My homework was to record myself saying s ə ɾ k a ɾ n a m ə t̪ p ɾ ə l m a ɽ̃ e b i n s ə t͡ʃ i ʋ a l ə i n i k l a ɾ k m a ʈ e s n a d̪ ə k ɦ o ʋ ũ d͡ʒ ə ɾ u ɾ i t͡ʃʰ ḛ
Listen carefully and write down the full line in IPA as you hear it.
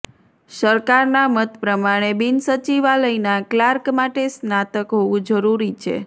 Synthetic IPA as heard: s ə ɾ k a ɾ n a m ə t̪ p ɾ ə m a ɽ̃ e b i n s ə t͡ʃ i ʋ a l ə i n a k l a ɾ k m a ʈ e s n a t̪ ə k ɦ o ʋ ũ d͡ʒ ə ɾ u ɾ i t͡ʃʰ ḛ

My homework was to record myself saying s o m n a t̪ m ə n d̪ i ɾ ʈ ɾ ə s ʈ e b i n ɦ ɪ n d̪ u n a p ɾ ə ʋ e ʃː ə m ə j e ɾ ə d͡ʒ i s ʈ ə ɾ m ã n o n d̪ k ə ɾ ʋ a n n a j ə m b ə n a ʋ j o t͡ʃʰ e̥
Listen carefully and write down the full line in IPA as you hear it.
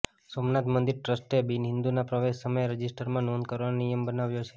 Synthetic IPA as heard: s o m n a t̪ m ə n d̪ i ɾ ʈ ɾ ə s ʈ e b i n ɦ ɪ n d̪ u n a p ɾ ə ʋ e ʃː ə m ə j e ɾ ə d͡ʒ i s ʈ ə ɾ m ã n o n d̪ k ə ɾ ʋ a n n i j ə m b ə n a ʋ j o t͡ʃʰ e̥

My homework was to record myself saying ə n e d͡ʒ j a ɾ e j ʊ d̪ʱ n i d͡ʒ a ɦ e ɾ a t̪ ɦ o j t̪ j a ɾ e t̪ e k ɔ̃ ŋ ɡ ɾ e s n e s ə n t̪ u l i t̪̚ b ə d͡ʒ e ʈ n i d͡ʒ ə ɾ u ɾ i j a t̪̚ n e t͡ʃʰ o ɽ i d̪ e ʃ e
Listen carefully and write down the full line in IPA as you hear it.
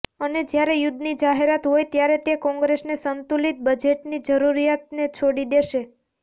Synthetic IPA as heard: ə n e d͡ʒ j a ɾ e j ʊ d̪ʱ n i d͡ʒ a ɦ e ɾ a t̪ ɦ o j t̪ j a ɾ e t̪ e k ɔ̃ ŋ ɡ ɾ e s n e s ə n t̪ u l i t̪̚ b ə d͡ʒ e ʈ n i d͡ʒ ə ɾ u ɾ i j a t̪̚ n e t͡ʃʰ o ɽ i d̪ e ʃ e

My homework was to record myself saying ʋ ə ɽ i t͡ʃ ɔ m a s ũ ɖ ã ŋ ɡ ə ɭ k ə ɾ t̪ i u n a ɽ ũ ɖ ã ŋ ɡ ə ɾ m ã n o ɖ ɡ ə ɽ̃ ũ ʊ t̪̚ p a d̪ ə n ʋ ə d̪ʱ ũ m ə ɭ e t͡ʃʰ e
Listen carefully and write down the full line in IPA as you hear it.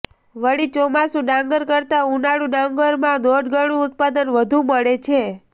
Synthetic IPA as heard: ʋ ə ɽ i t͡ʃ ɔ m a s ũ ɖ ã ŋ ɡ ə ɾ k ə ɾ t̪ a u n a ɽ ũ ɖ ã ŋ ɡ ə ɾ m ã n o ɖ ɡ ə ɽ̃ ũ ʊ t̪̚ p a d̪ ə n ʋ ə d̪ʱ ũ m ə ɭ e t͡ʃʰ e

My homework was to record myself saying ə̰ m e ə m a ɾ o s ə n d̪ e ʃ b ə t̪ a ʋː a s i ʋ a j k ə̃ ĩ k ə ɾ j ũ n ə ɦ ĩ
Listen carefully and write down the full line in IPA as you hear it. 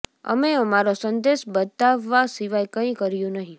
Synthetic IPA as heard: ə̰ m e ə m a ɾ o s ə n d̪ e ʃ b ə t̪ a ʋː a s i ʋ a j k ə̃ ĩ k ə ɾ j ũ n ə ɦ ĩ

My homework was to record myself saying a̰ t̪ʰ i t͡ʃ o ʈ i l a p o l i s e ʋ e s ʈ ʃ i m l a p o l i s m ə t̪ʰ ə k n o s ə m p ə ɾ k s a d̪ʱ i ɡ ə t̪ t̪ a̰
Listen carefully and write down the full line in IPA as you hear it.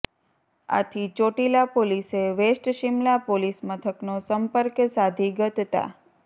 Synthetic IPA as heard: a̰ t̪ʰ i t͡ʃ o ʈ i l a p o l i s e ʋ e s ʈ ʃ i m l a p o l i s m ə t̪ʰ ə k n o s ə m p ə ɾ k s a d̪ʱ i ɡ ə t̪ t̪ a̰

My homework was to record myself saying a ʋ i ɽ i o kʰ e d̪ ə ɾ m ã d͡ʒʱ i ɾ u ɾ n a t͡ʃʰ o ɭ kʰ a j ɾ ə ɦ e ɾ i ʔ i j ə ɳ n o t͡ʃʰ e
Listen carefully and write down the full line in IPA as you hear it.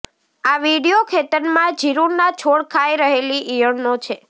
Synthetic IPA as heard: a ʋ i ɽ i o kʰ e t̪ ə ɾ m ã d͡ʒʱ i ɾ u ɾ n a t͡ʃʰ o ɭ kʰ a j ɾ ə ɦ e l i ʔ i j ə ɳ n o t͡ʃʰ e

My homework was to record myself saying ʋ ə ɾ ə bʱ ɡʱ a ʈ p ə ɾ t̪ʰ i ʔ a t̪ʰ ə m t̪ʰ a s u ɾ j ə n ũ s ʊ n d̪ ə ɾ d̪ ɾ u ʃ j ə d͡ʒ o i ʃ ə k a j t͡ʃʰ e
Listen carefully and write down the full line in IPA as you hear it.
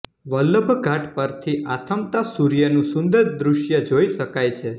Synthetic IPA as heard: ʋ ə l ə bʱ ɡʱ a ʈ p ə ɾ t̪ʰ i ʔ a t̪ʰ ə m t̪ a s u ɾ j ə n ũ s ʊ n d̪ ə ɾ d̪ ɾ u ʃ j ə d͡ʒ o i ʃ ə k a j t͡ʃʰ e

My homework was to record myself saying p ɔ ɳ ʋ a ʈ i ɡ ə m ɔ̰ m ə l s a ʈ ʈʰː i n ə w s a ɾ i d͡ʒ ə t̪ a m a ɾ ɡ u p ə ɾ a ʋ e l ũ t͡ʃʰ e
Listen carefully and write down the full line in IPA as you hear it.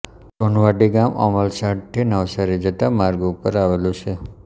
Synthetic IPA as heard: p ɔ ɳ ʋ a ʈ i ɡ a m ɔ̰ m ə l s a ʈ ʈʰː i n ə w s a ɾ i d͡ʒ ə t̪ a m a ɾ ɡ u p ə ɾ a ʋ e l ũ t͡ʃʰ e

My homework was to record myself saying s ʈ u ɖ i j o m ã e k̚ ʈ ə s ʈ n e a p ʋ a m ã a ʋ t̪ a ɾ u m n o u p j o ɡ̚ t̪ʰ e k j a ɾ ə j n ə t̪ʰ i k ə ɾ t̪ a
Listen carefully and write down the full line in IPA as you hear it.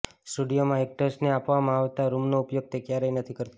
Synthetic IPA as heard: s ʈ u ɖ i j o m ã e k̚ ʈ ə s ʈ n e a p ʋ a m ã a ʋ t̪ a ɾ u m n o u p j o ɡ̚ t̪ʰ e k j a ɾ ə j n ə t̪ʰ i k ə ɾ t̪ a

